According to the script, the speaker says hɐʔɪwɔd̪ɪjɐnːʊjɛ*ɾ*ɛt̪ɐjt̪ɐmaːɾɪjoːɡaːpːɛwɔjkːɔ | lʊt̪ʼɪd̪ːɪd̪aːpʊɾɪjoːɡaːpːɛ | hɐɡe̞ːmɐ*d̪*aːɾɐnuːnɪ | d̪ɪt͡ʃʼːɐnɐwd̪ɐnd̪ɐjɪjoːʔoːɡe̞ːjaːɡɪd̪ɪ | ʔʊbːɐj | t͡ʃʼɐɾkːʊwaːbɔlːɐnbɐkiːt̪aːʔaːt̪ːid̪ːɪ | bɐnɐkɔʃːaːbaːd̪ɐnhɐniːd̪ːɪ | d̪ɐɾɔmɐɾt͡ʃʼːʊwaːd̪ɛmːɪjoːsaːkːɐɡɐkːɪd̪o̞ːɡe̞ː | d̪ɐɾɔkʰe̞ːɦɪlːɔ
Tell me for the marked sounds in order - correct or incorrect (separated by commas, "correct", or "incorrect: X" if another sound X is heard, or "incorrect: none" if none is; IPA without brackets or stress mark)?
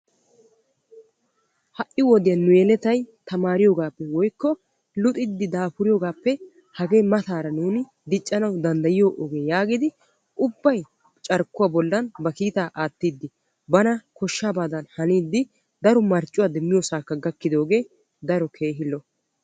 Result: incorrect: l, incorrect: t̪